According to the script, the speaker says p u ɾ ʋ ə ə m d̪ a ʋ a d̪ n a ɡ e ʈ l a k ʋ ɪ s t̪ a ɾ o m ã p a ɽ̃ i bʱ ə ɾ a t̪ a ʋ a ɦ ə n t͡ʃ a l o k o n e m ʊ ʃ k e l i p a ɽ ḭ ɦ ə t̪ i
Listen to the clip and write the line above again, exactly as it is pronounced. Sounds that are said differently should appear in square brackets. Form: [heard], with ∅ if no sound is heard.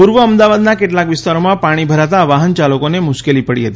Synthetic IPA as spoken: p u ɾ ʋ ə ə m d̪ a ʋ a d̪ n a [k] e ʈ l a k ʋ ɪ s t̪ a ɾ o m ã p a ɽ̃ i bʱ ə ɾ a t̪ a ʋ a ɦ ə n t͡ʃ a l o k o n e m ʊ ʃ k e l i p [ə] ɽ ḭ ɦ ə t̪ i

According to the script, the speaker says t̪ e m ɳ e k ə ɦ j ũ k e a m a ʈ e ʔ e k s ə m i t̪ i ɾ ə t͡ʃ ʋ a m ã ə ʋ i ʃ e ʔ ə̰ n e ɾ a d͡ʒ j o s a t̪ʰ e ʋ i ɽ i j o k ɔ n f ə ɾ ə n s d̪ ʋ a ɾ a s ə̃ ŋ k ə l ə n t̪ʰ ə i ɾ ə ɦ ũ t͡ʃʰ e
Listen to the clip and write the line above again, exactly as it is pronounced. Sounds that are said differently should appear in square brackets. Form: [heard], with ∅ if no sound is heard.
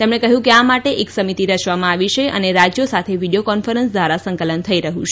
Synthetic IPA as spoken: t̪ e m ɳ e k ə ɦ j ũ k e a m a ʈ e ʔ e k s ə m i t̪ i ɾ ə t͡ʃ ʋ a m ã [a] ʋ i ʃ e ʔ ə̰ n e ɾ a d͡ʒ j o s a t̪ʰ e ʋ i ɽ i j o k ɔ n f ə ɾ ə n s d̪ ʋ a ɾ a s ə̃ ŋ k ə l ə n t̪ʰ ə i ɾ ə ɦ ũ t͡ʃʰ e

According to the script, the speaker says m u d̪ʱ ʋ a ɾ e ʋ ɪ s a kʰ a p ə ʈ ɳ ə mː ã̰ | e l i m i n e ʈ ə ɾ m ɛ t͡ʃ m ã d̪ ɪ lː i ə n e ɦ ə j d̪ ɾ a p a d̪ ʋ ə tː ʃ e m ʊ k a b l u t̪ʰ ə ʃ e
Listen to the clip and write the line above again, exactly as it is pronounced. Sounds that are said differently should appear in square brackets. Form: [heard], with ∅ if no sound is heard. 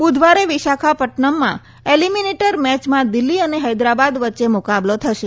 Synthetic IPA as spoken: [b] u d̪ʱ ʋ a ɾ e ʋ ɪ [ʃ] a kʰ a p ə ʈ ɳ ə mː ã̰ | e l i m i n e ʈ ə ɾ m ɛ t͡ʃ m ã d̪ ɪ lː i ə n e ɦ ə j d̪ ɾ a [b] a d̪ ʋ ə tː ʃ e m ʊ k a b l [o] t̪ʰ ə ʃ e

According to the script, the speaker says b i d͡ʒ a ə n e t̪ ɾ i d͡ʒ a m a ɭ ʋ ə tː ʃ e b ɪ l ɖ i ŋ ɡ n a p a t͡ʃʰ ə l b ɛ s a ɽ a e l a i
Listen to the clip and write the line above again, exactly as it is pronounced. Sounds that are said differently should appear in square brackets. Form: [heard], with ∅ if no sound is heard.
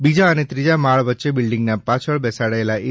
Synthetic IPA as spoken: b i d͡ʒ a ə n e t̪ ɾ i d͡ʒ a m a ɭ ʋ ə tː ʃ e b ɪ l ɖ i ŋ ɡ n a p a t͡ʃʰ ə [ɭ] b ɛ s a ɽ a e l a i

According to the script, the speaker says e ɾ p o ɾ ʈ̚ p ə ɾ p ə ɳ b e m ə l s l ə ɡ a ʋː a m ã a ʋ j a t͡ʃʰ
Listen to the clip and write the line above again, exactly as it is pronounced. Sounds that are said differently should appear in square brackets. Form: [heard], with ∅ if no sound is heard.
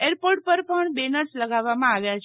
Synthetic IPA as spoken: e ɾ p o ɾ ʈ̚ p ə ɾ p ə ɳ b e [n] ə [ɾ] s l ə ɡ a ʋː a m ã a ʋ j a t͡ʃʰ

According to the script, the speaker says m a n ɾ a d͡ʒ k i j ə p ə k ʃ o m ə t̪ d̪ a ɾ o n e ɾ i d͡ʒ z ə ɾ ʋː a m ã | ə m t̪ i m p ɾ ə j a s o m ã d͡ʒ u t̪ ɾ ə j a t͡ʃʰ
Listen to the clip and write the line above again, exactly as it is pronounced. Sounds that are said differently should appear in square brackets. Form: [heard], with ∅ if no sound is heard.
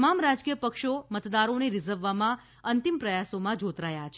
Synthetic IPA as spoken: m a [m] ɾ a d͡ʒ k i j ə p ə k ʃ o m ə t̪ d̪ a ɾ o n e ɾ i [∅] z ə ɾ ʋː a m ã | ə [n] t̪ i m p ɾ ə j a s o m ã d͡ʒ [o] t̪ ɾ [a] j a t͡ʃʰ

